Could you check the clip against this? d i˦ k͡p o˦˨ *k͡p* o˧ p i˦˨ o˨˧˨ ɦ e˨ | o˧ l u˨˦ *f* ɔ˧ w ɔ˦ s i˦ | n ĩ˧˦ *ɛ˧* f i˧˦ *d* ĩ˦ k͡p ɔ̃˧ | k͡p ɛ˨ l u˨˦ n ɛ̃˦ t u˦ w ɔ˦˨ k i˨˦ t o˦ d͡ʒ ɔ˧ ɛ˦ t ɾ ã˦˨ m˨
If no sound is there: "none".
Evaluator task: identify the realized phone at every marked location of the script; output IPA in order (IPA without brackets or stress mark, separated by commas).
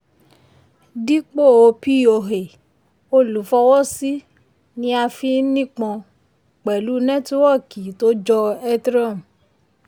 none, f, a˧, n